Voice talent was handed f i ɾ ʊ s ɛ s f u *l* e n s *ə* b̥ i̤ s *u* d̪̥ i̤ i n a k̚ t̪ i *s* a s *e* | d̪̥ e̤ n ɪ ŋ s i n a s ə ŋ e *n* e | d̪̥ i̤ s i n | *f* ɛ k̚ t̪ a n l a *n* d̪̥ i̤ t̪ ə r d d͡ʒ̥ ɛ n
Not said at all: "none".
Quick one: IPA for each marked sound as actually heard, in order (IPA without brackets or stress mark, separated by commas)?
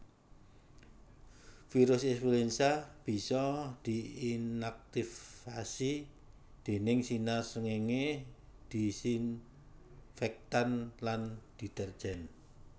l, a, ɔ, f, i, ŋ, f, n